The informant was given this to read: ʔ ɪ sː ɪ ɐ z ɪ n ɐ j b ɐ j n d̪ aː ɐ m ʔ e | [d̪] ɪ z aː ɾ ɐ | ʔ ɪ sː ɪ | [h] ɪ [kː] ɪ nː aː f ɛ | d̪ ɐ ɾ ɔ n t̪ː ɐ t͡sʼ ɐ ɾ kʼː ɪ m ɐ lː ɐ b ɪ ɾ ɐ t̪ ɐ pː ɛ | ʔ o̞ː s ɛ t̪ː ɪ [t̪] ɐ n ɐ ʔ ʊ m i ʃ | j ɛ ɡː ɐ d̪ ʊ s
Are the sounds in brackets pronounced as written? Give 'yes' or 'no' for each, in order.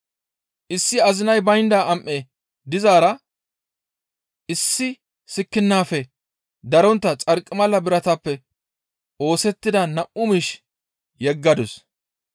yes, no, yes, no

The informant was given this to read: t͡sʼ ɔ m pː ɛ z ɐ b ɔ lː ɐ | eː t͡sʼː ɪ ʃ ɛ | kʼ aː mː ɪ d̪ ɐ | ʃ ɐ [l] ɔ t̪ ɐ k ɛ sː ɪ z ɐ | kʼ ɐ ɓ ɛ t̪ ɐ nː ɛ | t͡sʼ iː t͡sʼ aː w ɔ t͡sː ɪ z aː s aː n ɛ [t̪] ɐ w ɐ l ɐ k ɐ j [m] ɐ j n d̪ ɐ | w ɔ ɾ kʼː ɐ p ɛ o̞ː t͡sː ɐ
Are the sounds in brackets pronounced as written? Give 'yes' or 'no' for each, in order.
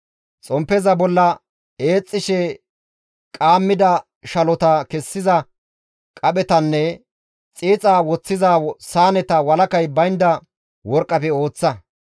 yes, yes, no

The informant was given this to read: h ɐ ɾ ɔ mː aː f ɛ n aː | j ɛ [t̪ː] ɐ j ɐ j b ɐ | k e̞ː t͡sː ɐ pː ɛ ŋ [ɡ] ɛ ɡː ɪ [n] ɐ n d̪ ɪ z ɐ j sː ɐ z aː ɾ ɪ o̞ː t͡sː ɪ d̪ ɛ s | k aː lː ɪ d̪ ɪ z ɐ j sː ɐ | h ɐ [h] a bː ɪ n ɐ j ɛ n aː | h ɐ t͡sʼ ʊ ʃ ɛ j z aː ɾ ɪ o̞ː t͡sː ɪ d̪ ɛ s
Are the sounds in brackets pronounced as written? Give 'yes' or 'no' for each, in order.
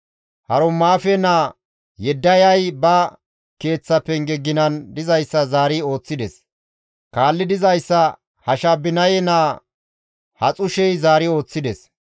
no, yes, yes, no

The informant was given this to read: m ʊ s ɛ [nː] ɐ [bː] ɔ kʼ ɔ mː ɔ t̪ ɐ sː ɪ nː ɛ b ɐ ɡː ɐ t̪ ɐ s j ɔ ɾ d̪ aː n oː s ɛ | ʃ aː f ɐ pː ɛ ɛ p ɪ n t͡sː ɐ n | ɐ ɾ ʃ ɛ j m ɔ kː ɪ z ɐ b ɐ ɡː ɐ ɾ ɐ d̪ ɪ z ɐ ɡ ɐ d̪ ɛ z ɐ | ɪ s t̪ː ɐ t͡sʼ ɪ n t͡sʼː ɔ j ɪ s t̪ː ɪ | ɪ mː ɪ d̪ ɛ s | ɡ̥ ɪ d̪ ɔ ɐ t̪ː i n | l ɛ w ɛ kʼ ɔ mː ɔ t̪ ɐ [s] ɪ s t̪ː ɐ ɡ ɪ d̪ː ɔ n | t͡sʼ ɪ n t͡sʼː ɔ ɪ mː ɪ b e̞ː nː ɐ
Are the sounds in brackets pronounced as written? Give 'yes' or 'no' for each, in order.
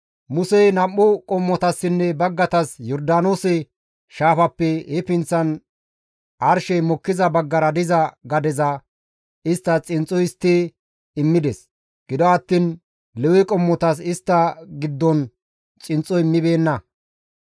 no, no, yes

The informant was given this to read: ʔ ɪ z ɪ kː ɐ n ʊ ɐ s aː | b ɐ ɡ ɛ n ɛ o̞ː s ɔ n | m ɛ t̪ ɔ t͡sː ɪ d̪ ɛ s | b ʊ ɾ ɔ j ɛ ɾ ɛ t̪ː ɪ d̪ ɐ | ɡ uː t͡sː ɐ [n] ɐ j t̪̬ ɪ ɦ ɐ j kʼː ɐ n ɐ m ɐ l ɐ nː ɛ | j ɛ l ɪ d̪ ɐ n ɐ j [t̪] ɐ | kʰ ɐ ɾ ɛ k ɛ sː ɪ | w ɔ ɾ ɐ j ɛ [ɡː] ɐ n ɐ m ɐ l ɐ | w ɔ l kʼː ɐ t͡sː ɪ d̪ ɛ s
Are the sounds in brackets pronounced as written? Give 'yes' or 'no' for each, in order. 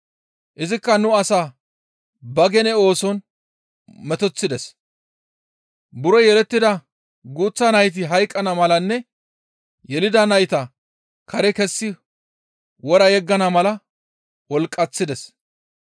yes, yes, yes

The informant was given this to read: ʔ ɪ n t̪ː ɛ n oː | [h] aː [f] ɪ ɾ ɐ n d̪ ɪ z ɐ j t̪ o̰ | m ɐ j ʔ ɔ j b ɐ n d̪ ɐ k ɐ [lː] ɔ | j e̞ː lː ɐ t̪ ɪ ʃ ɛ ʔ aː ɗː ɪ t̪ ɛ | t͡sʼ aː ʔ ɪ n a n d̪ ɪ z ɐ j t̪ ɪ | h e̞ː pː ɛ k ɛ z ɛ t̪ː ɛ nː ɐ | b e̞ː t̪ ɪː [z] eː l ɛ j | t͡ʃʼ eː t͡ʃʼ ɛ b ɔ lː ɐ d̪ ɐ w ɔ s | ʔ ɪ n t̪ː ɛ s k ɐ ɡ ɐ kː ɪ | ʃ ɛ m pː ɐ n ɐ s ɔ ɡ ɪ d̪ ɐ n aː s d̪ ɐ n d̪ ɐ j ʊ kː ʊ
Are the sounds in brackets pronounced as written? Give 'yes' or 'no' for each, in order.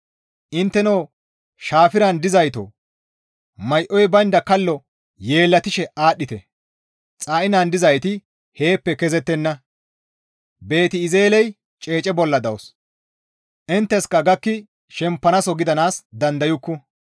no, yes, yes, yes

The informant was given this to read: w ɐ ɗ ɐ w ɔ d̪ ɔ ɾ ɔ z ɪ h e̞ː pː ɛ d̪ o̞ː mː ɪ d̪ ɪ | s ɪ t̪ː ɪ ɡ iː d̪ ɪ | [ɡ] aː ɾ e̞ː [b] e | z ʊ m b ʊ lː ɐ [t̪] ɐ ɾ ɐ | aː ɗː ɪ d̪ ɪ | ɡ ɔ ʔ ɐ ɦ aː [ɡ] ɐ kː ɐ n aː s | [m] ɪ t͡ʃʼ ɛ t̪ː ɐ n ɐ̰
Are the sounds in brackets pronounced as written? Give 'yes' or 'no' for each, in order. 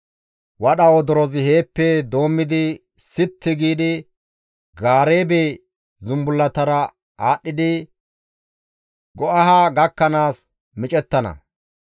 yes, yes, yes, yes, yes

